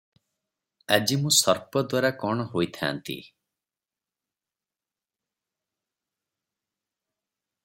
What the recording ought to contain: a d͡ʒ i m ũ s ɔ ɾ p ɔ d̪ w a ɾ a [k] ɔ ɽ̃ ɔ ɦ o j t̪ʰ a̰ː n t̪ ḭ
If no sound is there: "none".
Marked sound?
k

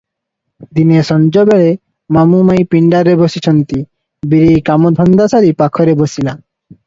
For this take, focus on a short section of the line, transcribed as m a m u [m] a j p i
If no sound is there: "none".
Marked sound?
m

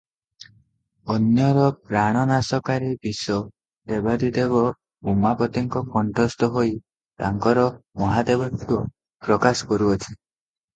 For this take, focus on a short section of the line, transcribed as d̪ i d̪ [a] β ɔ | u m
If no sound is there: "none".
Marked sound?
e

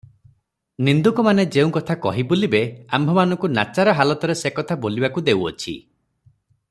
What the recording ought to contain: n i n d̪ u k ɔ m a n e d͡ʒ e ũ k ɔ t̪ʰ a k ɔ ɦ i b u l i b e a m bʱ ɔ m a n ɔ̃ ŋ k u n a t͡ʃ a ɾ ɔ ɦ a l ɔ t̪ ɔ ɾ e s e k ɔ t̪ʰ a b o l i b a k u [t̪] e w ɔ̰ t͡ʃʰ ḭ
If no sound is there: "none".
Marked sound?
d̪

